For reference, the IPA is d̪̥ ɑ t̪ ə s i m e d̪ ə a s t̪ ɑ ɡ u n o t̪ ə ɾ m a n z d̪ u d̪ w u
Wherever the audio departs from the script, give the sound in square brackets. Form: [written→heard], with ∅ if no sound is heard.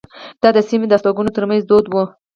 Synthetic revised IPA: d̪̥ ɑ [t̪→d̪] ə s i m e d̪ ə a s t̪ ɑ ɡ u n o t̪ ə ɾ m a n z d̪ [u→o] d̪ w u